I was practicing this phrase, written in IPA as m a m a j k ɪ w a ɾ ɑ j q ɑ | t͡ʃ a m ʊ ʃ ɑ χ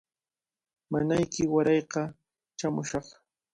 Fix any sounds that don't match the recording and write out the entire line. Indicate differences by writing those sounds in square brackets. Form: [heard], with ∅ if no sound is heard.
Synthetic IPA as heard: m a [n] a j k ɪ w a ɾ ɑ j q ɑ | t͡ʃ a m ʊ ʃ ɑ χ